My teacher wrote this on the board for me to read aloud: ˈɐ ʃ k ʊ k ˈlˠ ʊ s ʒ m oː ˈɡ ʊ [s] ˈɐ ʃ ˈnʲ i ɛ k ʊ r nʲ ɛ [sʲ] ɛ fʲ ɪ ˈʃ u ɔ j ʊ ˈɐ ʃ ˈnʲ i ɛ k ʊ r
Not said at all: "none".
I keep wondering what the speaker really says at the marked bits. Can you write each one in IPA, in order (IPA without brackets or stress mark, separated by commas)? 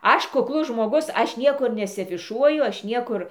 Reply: s, sʲ